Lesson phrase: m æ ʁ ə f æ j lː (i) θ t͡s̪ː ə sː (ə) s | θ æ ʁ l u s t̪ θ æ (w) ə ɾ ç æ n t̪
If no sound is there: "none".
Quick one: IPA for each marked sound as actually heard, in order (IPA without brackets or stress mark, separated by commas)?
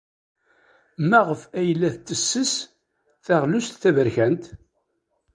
æ, ə, v